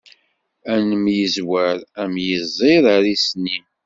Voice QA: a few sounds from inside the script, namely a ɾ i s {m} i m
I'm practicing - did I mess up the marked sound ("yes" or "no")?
yes